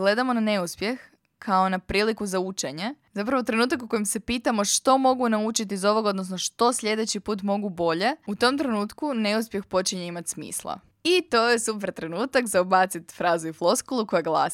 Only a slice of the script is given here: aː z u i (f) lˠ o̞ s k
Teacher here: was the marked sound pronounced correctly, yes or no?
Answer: yes